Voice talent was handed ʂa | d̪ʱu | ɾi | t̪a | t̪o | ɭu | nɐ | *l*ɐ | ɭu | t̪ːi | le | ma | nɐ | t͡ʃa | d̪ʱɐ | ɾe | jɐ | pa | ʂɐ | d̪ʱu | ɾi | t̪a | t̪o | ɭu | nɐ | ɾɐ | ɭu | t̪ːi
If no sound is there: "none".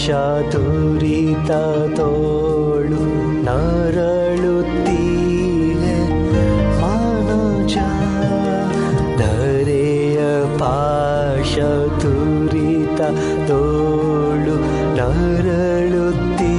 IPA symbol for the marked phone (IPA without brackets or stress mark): ɾ